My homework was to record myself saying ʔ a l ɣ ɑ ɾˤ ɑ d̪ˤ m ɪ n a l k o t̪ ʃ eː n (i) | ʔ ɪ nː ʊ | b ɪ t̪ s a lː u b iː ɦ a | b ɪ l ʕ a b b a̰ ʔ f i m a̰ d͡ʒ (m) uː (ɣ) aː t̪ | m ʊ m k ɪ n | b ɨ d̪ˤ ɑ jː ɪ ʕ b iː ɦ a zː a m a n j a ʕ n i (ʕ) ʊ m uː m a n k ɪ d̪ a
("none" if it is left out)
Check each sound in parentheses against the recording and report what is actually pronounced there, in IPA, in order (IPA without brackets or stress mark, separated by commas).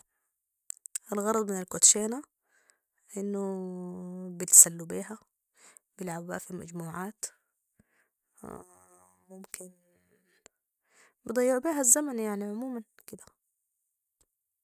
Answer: a, m, ʕ, ʕ